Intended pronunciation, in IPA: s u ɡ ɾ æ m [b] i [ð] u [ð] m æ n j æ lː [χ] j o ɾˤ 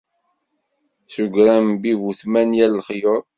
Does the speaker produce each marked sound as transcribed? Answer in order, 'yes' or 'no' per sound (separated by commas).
yes, no, no, yes